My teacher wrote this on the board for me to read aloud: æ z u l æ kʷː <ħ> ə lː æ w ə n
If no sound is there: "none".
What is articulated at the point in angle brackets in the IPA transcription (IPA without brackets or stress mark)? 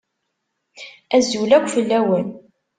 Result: f